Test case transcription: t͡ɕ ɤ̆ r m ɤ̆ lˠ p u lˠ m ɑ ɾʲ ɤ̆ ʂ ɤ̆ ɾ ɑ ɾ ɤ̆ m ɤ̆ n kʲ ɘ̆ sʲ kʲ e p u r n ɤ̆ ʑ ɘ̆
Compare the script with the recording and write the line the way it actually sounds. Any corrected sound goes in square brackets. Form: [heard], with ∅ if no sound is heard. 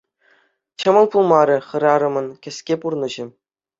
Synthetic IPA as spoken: t͡ɕ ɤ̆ [∅] m ɤ̆ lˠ p u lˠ m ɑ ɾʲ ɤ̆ [χ] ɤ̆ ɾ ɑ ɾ ɤ̆ m ɤ̆ n kʲ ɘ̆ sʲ kʲ e p u r n ɤ̆ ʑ ɘ̆